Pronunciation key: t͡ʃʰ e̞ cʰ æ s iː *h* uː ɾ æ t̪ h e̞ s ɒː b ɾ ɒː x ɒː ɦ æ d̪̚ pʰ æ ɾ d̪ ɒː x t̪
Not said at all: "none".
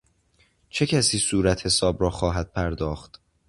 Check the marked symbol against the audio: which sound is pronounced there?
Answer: s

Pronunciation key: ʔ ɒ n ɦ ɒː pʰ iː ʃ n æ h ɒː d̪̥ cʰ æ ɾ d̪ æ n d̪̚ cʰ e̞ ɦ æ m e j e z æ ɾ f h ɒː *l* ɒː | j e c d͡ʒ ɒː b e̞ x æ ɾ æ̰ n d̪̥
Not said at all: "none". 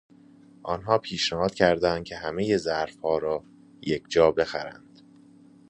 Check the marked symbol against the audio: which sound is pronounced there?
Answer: ɾ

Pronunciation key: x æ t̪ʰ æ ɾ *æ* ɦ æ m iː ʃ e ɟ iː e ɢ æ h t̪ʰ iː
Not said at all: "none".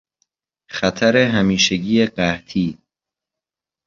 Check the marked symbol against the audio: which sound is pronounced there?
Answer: e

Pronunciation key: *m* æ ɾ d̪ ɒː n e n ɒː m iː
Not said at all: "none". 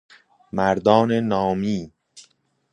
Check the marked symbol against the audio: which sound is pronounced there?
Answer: m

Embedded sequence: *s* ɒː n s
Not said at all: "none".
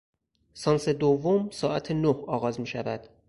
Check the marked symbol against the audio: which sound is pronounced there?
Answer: s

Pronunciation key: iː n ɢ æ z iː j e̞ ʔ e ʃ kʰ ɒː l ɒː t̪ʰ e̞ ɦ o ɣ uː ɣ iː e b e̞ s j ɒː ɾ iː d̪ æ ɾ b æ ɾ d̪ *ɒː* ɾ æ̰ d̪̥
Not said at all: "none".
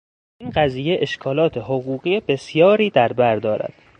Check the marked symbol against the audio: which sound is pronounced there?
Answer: ɒː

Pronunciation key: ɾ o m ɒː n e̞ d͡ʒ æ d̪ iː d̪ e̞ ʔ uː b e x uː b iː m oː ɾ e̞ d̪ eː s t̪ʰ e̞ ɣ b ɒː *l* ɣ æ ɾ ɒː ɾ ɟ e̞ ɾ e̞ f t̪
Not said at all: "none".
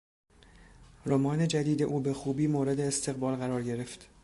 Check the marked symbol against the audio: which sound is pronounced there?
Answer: l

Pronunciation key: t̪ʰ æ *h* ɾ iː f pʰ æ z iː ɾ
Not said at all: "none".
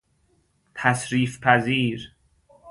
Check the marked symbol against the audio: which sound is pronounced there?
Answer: s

